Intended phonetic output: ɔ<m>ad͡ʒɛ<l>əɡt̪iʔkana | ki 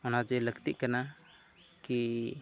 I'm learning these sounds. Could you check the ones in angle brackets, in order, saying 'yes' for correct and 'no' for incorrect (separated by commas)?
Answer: no, yes